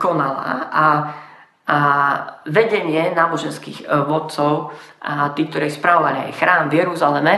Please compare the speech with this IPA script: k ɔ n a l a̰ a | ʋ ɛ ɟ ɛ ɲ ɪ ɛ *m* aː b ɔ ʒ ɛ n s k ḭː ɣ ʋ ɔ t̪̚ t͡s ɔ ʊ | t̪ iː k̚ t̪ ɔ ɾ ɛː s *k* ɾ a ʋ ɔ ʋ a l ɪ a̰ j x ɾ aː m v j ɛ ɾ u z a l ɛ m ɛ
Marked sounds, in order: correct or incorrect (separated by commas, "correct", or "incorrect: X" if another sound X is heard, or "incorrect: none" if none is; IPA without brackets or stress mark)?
incorrect: n, incorrect: p